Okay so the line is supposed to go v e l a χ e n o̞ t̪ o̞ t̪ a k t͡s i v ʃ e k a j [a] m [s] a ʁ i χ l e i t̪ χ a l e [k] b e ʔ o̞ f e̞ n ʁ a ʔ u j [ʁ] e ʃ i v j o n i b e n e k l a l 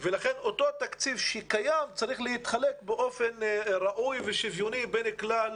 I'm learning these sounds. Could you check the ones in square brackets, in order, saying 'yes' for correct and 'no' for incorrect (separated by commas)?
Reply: yes, no, yes, no